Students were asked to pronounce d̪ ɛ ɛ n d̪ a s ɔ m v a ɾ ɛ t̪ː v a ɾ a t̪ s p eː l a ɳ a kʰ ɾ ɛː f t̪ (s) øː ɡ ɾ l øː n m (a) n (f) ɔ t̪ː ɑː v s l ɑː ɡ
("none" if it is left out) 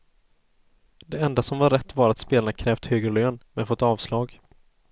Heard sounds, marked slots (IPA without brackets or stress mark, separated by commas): h, ɛ, f